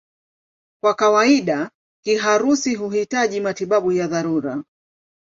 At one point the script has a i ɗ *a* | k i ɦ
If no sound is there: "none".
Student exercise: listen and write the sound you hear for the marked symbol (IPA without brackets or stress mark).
a